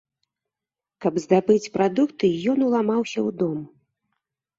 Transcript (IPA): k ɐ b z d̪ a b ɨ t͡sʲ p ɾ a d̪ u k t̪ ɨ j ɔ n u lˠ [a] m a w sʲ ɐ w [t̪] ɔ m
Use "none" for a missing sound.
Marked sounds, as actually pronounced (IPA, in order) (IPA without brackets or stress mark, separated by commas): a, d̪